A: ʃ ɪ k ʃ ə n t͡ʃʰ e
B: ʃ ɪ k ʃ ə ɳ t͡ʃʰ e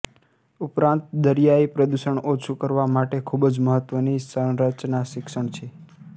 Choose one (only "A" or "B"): B